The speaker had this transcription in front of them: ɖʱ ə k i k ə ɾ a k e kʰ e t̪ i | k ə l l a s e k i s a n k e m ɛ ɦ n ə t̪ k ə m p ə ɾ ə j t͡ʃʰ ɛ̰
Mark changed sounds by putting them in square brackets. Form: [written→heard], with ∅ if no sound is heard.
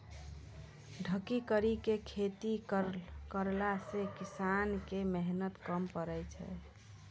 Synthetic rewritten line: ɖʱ ə k i k ə ɾ [a→i] k e kʰ e t̪ i | k ə [l→ɾ] l a s e k i s a n k e m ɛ ɦ n ə t̪ k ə m p ə ɾ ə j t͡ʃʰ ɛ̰